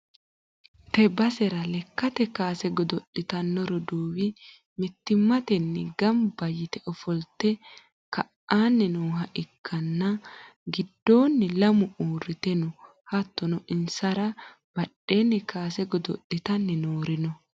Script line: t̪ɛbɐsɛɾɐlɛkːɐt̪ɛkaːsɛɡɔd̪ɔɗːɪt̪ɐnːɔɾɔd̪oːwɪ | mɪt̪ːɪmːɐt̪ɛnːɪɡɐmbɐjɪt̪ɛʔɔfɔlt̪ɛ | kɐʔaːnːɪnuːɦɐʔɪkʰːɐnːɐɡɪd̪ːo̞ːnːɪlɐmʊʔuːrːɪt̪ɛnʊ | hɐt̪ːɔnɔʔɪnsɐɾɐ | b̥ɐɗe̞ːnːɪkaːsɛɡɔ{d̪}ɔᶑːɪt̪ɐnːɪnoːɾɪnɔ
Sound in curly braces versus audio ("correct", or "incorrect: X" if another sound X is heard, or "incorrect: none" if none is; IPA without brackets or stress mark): correct